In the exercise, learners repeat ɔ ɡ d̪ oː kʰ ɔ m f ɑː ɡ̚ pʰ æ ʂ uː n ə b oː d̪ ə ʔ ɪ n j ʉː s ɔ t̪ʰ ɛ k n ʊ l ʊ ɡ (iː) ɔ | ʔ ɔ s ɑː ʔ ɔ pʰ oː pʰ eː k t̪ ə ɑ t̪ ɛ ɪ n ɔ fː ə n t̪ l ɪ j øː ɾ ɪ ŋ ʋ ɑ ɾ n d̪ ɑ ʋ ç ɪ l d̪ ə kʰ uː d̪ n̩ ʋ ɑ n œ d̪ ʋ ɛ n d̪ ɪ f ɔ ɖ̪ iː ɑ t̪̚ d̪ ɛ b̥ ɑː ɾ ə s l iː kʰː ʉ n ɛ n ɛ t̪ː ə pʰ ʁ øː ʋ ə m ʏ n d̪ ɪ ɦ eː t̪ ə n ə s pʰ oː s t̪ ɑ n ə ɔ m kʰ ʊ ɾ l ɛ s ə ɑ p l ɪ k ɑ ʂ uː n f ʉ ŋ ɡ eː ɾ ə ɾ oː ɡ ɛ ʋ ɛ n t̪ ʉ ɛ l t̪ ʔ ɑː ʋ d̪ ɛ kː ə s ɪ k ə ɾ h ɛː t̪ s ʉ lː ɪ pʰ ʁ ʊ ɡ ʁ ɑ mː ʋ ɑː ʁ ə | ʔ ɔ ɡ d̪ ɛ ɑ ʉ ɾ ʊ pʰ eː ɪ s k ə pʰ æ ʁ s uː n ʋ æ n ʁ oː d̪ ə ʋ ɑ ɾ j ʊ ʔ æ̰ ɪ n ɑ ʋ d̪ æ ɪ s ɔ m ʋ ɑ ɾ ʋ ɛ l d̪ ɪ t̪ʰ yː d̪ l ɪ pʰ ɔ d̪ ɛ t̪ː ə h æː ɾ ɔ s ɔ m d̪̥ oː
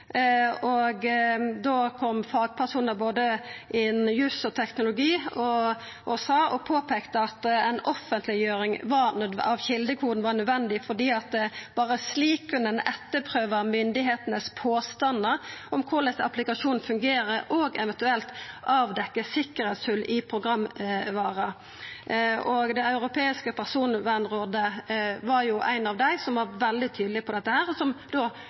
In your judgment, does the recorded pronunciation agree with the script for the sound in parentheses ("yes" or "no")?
yes